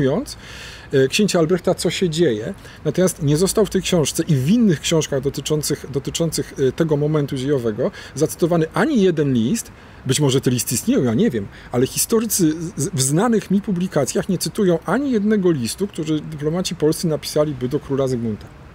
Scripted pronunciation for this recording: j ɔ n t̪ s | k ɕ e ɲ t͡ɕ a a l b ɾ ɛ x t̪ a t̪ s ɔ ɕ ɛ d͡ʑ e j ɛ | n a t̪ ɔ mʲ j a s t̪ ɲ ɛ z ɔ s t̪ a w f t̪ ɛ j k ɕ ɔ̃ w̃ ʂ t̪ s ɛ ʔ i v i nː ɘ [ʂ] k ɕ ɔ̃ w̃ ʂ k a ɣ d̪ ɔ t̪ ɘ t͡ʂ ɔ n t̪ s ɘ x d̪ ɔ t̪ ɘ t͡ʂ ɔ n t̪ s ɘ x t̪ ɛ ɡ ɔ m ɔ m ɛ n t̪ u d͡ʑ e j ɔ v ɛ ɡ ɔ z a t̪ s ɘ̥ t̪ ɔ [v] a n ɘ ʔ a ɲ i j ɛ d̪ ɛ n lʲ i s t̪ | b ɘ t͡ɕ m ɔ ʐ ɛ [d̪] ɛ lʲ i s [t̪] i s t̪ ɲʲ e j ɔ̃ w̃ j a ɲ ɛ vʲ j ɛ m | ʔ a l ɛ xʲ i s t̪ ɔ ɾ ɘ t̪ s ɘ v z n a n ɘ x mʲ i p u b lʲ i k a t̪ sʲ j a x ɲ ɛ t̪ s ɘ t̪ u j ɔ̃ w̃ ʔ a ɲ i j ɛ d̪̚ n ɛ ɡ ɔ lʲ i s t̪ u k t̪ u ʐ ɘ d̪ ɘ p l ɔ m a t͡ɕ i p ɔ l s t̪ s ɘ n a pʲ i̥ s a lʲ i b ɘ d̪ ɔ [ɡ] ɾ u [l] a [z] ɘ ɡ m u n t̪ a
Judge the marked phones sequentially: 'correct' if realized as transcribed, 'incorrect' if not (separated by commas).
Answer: incorrect, correct, incorrect, correct, incorrect, correct, correct